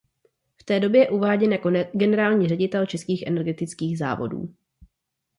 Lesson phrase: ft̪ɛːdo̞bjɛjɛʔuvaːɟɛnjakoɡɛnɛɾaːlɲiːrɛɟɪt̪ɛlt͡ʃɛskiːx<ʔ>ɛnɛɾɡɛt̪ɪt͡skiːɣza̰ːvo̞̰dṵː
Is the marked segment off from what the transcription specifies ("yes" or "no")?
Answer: no